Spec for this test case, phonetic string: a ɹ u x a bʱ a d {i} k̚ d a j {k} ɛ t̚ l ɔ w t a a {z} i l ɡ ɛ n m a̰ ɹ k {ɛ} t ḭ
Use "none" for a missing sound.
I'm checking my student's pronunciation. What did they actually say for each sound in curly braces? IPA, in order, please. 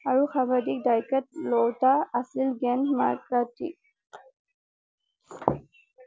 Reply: i, k, s, a

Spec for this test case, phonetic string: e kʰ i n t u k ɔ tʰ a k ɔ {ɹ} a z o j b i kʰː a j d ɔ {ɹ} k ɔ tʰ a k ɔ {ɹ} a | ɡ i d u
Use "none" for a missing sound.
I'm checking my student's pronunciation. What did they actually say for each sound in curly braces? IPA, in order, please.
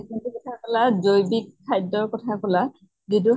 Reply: l, ɹ, l

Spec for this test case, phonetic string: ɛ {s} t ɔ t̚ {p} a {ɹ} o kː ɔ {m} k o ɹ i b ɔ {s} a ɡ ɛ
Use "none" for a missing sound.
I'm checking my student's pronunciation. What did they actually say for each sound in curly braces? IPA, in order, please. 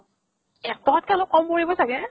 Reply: none, k, l, m, s

